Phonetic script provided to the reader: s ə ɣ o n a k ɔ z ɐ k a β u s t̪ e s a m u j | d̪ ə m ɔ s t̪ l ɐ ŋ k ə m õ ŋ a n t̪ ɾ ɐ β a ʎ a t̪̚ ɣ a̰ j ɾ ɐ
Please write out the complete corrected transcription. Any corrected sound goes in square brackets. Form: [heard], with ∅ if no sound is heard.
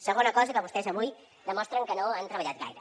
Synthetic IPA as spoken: s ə ɣ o n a k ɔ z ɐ k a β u s t̪ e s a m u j | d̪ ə m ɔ s t̪ [ɾ] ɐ ŋ k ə [n] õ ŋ a n t̪ ɾ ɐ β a ʎ a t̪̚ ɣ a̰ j ɾ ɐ

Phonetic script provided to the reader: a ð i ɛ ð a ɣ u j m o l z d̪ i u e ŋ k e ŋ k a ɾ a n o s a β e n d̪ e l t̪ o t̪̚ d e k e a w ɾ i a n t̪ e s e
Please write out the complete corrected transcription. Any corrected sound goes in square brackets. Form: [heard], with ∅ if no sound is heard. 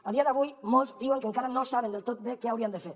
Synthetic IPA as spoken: a ð i [a] ð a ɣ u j m o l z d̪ i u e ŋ k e ŋ k a ɾ a n o s a β e n d̪ e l t̪ o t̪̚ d e k e a w ɾ i a n [d̪] e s e

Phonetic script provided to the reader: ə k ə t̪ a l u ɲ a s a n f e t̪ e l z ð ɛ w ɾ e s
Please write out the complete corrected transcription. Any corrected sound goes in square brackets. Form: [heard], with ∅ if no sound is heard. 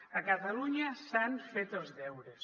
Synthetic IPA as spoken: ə k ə t̪ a l u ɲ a s a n f e t̪ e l z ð ɛ w ɾ e s

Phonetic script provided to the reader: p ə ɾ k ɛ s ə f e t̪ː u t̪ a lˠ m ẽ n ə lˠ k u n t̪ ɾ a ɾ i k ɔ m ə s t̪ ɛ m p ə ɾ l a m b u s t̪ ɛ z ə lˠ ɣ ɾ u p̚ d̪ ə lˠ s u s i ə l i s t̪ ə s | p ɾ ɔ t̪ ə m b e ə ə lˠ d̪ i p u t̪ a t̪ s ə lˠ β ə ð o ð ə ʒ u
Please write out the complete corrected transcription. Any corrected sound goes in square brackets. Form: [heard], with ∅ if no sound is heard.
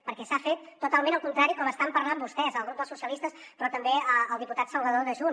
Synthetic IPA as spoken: p ə ɾ k ɛ s [a] f e t̪ː u t̪ a lˠ m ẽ n ə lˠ k u n t̪ ɾ a ɾ i k ɔ m ə s t̪ [a] m p ə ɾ l a m b u s t̪ ɛ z ə lˠ ɣ ɾ u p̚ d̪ ə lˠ s u s i ə l i s t̪ ə s | p ɾ ɔ t̪ ə m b e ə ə lˠ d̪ i p u t̪ a t̪ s ə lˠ β ə ð o ð ə ʒ u

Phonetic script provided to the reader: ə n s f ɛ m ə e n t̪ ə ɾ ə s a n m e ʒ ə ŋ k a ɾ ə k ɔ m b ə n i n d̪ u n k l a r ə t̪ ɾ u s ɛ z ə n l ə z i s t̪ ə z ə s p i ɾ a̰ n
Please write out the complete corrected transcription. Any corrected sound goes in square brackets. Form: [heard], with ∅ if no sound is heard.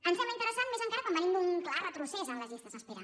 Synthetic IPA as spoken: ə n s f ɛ m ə [i] n t̪ ə ɾ ə s a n m e [z] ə ŋ k a ɾ ə k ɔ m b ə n i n d̪ u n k l a r ə t̪ ɾ u s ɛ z ə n l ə z i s t̪ ə z ə s p i ɾ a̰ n

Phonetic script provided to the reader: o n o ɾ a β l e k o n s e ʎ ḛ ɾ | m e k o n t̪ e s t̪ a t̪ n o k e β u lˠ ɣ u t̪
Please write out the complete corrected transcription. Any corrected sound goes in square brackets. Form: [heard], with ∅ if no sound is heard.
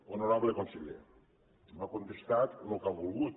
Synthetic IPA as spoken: o n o ɾ a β l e k o n s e ʎ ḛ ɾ | m [a] k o n t̪ e s t̪ a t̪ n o k [a] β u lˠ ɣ u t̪

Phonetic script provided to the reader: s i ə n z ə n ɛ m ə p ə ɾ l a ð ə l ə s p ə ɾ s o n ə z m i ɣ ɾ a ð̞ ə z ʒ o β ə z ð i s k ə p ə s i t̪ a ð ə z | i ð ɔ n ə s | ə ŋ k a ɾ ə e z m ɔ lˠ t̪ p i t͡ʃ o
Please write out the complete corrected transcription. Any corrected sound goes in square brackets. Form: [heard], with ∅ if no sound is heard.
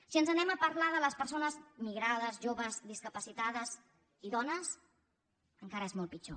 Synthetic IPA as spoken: s i ə n z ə n ɛ m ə p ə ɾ l a ð ə l ə s p ə ɾ s o n ə z m i ɣ ɾ a ð̞ ə z ʒ o β ə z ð i s k ə p ə s i t̪ a ð ə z | i ð ɔ n ə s | ə ŋ k a ɾ ə e z m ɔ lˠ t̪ p i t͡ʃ o

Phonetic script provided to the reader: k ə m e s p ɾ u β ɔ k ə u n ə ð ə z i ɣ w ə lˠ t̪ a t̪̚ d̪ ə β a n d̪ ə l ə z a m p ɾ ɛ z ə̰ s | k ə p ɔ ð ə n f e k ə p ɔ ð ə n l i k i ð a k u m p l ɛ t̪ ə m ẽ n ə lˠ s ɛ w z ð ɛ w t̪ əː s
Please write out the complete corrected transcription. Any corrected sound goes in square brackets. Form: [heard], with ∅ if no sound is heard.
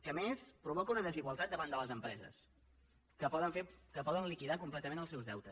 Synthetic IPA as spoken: k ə m e s p ɾ u β ɔ k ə u n ə ð ə z i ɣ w ə lˠ t̪ a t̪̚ d̪ ə β a n d̪ ə l ə z [ə] m p ɾ ɛ z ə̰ s | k ə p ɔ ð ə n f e k ə p ɔ ð ə n l i k i ð a k u m p l ɛ t̪ ə m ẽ n ə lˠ s ɛ w z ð ɛ w t̪ [ə] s

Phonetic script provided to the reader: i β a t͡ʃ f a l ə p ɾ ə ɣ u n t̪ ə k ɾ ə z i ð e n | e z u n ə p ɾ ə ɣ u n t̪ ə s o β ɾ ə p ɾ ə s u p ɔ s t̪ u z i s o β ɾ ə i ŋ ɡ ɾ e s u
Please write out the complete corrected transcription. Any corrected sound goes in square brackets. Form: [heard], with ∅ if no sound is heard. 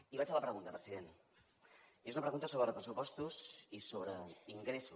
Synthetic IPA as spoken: i β a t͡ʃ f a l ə p ɾ ə ɣ u n t̪ ə [p] ɾ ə z i ð e n | e z u n ə p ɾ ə ɣ u n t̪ ə s o β ɾ ə p ɾ ə s u p ɔ s t̪ u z i s o β ɾ ə i ŋ ɡ ɾ e s u

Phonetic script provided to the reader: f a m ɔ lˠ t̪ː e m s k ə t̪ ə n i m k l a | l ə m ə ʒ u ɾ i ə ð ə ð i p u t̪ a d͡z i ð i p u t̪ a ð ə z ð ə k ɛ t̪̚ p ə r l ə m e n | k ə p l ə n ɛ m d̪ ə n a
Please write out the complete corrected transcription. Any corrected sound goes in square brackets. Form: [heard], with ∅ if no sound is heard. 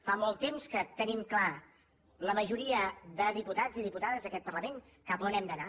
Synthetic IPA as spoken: f a m ɔ lˠ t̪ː e m s k ə t̪ ə n i m k l a | l ə m ə ʒ u ɾ i ə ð ə ð i p u t̪ a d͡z i ð i p u t̪ a ð ə z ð ə k ɛ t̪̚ p ə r l ə m e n | k ə p l ə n ɛ m d̪ ə n a

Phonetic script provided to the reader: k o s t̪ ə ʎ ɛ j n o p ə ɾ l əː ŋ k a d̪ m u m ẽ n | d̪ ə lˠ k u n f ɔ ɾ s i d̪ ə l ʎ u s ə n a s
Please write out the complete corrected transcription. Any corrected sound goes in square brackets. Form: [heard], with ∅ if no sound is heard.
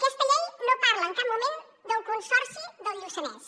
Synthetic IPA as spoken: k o s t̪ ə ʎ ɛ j n o p [a] ɾ l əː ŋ k a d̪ m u m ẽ n | d̪ ə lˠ k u n [s] ɔ ɾ s i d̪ ə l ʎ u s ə n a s

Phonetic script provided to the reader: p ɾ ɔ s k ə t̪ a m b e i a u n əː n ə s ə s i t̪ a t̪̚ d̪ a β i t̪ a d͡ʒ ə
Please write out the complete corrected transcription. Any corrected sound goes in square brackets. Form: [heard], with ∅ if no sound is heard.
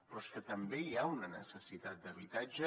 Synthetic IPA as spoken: p ɾ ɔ s k ə t̪ [ə] m b e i a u n [ə] n ə s ə s i t̪ a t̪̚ d̪ [ə] β i t̪ a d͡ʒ ə

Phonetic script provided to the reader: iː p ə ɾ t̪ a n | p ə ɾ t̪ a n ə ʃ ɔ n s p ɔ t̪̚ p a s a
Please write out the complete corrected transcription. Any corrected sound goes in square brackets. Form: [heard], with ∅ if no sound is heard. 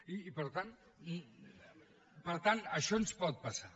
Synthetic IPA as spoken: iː p ə ɾ t̪ a n | p ə ɾ t̪ a n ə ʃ ɔ n s p ɔ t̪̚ p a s a

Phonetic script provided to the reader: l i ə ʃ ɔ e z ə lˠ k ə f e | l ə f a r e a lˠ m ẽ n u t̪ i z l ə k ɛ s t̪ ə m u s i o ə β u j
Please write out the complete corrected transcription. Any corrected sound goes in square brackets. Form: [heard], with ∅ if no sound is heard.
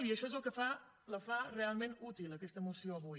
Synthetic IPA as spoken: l i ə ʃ ɔ e z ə lˠ k ə f [a] | l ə f a r e a lˠ m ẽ n u t̪ i [∅] l ə k ɛ s t̪ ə m u s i o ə β u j

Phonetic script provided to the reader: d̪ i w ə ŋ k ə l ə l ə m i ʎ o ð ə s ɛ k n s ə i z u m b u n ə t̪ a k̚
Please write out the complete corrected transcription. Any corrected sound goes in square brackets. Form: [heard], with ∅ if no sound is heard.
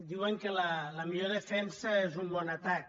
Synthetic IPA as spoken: d̪ i w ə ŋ k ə l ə l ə m i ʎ o ð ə [f] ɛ [∅] n s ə [e] z u m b [ɔ] n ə t̪ a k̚

